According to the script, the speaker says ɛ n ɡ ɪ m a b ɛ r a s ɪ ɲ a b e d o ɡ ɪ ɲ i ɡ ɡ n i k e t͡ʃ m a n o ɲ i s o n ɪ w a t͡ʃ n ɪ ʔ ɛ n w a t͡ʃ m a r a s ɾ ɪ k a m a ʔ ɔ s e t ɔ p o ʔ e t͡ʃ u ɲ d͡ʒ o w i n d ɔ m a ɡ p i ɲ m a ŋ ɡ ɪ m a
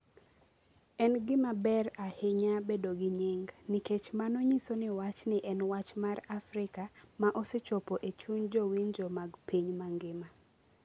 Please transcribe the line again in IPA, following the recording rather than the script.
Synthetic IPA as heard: ɛ n ɡ ɪ m a b ɛ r a h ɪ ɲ a b e d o ɡ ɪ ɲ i ŋ ɡ n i k e t͡ʃ m a n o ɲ i s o n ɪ w a t͡ʃ n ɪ ʔ ɛ n w a t͡ʃ m a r a f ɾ ɪ k a m a ʔ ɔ s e t͡ʃ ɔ p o ʔ e t͡ʃ u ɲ d͡ʒ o w i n d͡ʒ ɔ m a ɡ p i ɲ m a ŋ ɡ ɪ m a